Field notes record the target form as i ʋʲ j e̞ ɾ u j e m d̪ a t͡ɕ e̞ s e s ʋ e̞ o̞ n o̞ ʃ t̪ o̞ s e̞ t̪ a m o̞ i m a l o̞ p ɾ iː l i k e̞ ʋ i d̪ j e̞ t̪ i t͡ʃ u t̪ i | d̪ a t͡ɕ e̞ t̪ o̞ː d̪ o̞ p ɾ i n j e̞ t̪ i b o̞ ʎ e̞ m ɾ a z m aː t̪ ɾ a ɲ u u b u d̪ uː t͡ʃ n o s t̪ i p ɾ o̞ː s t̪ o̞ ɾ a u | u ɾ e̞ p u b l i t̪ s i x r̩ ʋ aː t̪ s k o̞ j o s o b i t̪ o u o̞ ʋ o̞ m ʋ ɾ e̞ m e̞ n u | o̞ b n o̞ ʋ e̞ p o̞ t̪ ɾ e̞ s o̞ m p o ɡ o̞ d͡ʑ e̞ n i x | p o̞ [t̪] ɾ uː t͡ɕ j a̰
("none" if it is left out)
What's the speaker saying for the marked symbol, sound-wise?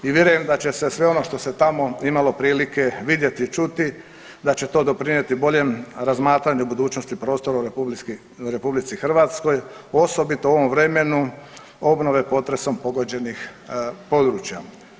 d̪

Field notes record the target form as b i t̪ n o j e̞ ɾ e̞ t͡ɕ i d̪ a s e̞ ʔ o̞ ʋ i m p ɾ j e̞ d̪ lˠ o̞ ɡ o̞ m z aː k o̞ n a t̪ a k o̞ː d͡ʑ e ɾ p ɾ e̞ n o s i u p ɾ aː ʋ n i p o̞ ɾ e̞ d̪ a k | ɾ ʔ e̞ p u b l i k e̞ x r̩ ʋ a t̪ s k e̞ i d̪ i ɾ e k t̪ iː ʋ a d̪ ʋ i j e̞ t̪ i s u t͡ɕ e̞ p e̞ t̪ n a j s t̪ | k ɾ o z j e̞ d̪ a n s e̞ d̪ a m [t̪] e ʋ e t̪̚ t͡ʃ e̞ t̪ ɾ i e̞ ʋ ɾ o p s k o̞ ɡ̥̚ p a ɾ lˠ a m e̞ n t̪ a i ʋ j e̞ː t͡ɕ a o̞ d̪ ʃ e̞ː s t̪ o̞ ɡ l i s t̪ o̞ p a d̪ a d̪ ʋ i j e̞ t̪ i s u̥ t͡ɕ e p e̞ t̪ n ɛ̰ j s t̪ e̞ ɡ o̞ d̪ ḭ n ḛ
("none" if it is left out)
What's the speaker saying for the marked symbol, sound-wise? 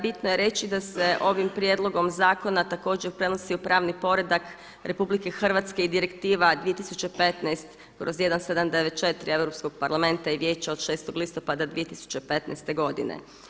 d̪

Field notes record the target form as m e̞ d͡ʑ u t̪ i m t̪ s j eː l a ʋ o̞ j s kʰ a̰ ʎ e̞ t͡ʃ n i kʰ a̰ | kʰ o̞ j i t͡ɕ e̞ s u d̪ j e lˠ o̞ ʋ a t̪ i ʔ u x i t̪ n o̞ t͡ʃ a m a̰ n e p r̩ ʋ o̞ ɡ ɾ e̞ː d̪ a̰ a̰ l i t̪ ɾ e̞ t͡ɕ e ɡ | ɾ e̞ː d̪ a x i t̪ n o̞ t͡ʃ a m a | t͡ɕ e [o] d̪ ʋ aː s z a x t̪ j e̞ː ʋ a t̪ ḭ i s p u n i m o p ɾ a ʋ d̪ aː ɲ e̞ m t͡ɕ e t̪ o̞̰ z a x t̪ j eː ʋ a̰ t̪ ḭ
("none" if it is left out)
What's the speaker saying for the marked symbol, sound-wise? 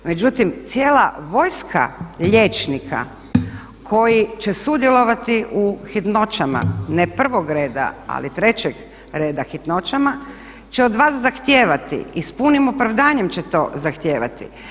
o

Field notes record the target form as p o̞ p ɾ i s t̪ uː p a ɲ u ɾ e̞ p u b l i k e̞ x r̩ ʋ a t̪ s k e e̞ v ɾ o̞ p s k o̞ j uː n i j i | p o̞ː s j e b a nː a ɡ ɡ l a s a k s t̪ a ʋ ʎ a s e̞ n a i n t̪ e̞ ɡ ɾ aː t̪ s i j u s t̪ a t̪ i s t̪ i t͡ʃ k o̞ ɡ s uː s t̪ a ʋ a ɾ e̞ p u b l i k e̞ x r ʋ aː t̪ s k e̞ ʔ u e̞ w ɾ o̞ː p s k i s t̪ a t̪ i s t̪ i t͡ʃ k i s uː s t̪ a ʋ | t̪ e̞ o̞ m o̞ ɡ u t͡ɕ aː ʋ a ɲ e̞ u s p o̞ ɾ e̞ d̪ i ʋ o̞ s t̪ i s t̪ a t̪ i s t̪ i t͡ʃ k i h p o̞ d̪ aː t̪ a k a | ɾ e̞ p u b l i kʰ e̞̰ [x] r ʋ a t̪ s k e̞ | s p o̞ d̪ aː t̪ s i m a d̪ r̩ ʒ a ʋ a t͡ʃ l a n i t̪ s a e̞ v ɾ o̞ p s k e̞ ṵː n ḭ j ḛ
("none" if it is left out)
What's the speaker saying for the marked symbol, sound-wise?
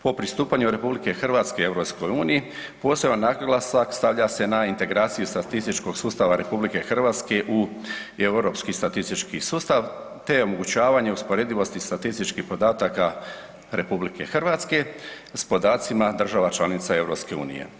x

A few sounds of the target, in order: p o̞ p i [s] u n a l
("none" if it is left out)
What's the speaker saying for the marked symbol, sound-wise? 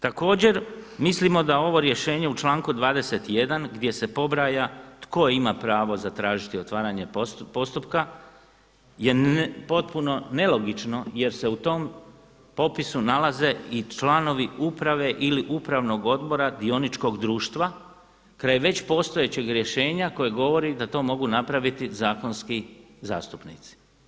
s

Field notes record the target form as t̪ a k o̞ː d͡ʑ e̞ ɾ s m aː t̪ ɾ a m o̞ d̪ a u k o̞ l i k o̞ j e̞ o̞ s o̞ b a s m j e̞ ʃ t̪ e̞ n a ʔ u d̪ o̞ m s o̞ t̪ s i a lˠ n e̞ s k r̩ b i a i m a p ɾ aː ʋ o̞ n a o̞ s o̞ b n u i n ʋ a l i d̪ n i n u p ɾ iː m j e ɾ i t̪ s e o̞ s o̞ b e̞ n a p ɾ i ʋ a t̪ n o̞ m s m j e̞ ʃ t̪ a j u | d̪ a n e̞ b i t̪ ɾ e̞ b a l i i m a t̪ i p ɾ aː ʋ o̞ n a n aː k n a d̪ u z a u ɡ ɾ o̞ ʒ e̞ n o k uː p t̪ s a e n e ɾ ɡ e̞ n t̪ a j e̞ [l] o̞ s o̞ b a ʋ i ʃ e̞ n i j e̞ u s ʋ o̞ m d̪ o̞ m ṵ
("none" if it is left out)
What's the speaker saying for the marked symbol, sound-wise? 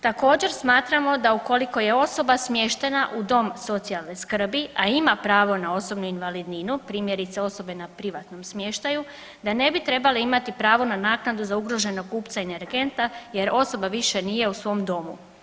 ɾ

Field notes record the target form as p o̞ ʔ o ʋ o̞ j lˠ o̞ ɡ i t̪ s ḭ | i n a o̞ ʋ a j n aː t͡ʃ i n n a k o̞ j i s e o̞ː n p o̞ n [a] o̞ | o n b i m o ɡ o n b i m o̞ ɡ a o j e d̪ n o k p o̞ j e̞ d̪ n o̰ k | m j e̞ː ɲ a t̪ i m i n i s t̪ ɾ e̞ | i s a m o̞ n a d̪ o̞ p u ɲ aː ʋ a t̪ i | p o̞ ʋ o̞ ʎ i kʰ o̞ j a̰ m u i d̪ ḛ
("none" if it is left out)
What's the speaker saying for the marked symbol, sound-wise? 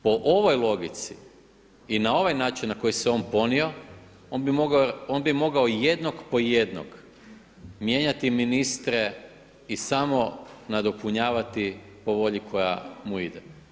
i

